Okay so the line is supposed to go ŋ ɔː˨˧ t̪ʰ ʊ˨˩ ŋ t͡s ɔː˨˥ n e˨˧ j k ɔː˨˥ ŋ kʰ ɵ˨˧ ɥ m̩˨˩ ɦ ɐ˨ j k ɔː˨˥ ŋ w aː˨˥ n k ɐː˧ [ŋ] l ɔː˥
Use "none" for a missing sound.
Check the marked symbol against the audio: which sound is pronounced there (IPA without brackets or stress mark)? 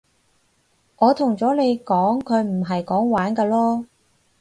none